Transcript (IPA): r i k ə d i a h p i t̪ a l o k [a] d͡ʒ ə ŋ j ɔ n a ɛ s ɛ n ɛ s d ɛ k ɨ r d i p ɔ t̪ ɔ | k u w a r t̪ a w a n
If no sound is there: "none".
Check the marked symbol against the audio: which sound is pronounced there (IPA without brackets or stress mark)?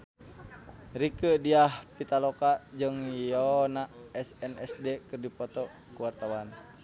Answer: a